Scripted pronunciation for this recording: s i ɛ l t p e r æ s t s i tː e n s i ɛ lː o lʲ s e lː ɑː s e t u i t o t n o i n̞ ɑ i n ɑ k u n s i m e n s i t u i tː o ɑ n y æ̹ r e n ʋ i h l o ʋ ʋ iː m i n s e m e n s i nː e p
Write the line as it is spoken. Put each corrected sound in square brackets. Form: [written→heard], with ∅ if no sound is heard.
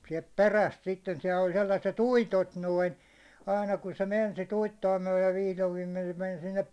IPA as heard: s i ɛ l t p e r æ s t s i tː e n s i ɛ lː o lʲ s e lː [ɑː→ɑ] s e t u i t o t n o i n̞ ɑ i n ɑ k u n s [i→e] m e n s i t u i tː o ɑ [n→m] y æ̹ [r→l] e n ʋ i h l o ʋ ʋ iː m [i→e] n s e m e n s i nː e p